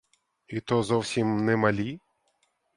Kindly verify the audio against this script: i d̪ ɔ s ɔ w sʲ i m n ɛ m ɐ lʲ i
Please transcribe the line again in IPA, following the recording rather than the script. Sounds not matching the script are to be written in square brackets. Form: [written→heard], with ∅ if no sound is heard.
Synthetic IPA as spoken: i [d̪→t̪] ɔ [s→z] ɔ w sʲ i m n ɛ m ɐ lʲ i